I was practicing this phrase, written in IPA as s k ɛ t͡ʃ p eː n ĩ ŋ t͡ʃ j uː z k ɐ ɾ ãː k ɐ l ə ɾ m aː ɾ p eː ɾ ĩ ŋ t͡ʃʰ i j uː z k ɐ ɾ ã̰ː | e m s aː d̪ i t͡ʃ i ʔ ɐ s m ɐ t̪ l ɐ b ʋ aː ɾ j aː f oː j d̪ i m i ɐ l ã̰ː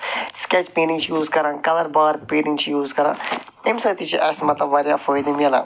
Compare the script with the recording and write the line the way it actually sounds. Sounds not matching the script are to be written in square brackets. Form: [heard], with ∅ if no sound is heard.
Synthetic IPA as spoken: s k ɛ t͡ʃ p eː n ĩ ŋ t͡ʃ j uː z k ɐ ɾ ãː k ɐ l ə ɾ [b] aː ɾ p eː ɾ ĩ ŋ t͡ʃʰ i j uː z k ɐ ɾ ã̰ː | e m s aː [t̪] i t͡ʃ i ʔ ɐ s m ɐ t̪ l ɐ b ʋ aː ɾ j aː f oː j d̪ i m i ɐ l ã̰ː